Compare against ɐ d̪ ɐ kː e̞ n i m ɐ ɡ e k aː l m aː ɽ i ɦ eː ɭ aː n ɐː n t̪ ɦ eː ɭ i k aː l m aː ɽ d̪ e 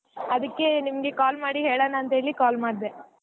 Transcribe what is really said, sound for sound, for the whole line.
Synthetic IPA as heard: ɐ d̪ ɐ kː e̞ n i m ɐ ɡ e k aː l m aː ɽ i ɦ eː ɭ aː n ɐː n t̪ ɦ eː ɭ i k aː l m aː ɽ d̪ e

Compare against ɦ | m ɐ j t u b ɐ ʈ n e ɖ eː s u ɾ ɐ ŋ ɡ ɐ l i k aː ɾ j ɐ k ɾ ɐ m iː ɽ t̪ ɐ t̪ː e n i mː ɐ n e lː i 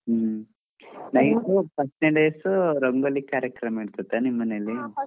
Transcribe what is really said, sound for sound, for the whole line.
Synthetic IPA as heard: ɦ | n ɐ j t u p ɐ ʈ n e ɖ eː s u ɾ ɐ ŋ ɡ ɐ l i k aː ɾ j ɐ k ɾ ɐ m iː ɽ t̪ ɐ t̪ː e n i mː ɐ n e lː i

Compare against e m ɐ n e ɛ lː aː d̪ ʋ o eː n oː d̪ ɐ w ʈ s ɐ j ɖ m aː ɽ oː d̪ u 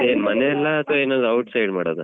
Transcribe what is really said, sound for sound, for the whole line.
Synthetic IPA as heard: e m ɐ n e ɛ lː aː t̪ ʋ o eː n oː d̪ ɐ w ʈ s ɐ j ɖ m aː ɽ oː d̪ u

